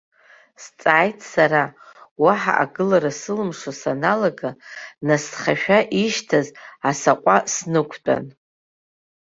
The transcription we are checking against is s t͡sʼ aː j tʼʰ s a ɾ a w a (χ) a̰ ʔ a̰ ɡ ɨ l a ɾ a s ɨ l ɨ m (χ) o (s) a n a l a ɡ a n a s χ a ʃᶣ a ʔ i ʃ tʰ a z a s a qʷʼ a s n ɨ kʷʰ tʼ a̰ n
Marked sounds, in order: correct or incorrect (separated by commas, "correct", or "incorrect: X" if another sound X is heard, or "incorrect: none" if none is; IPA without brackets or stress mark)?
incorrect: ħ, incorrect: ʂ, correct